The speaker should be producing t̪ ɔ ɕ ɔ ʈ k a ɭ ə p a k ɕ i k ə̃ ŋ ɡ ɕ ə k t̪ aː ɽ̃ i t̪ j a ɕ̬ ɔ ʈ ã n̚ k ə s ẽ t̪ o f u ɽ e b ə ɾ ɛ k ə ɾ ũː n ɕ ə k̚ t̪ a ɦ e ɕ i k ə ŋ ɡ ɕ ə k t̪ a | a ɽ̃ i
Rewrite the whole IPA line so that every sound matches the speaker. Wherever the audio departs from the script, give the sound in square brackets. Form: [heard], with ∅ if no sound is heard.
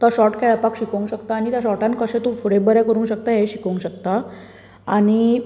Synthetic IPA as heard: t̪ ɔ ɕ ɔ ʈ k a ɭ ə p a k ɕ i k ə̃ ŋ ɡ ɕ ə k t̪ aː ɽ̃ i t̪ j a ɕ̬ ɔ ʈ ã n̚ k ə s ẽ t̪ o f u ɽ e b ə ɾ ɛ k ə ɾ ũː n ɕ ə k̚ t̪ a ɦ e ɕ i k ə ŋ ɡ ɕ ə k t̪ a | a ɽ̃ i